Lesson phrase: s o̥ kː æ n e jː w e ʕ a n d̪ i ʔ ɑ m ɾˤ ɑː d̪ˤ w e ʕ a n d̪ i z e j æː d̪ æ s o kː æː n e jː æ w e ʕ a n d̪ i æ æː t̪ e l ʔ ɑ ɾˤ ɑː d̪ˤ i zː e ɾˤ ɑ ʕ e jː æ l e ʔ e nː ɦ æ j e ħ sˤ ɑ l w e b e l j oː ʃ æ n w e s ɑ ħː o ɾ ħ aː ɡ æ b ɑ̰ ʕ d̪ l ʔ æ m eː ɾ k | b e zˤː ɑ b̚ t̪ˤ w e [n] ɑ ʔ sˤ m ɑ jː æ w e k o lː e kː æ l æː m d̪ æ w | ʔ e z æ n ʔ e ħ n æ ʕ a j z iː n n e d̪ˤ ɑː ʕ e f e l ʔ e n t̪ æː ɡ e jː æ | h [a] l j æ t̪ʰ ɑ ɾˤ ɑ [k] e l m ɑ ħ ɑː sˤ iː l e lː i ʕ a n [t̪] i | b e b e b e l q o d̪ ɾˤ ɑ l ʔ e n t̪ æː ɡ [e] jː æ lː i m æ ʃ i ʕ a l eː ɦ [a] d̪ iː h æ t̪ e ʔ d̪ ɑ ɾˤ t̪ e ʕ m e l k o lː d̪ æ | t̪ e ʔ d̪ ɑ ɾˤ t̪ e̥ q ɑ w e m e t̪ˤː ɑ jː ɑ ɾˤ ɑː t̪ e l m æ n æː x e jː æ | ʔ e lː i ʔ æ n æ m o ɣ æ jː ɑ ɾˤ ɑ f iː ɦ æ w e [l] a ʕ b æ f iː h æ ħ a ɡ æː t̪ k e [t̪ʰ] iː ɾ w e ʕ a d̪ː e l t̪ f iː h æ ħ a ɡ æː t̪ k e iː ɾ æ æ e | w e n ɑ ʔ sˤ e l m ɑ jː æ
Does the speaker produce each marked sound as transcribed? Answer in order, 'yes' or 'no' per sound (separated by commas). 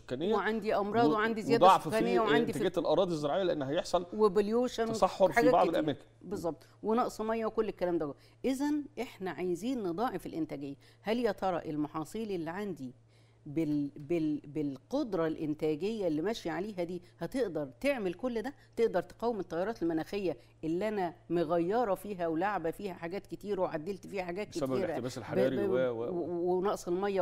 yes, no, no, no, yes, no, yes, no